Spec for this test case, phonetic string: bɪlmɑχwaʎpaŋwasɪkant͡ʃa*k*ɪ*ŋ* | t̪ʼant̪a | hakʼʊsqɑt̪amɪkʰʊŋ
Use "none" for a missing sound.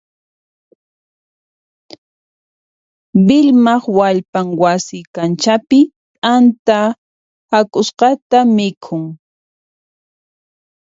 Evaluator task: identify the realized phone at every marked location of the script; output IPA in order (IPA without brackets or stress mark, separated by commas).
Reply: p, none